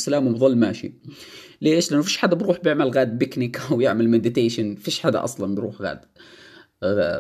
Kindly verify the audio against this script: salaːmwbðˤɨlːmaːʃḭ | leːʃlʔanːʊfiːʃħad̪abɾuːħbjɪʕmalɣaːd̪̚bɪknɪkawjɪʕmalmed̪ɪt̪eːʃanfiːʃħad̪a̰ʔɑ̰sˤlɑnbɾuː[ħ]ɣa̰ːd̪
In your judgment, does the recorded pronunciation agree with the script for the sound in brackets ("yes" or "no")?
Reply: yes